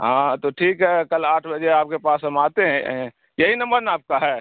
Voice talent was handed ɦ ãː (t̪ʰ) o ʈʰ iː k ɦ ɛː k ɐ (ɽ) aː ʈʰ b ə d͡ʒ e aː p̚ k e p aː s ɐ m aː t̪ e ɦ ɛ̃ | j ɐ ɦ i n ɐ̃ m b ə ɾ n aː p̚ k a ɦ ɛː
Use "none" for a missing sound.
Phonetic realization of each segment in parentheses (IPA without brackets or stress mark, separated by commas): t̪, l